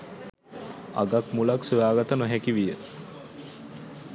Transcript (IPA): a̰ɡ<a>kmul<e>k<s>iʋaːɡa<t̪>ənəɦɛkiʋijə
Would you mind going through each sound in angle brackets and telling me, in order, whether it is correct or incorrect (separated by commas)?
correct, incorrect, correct, correct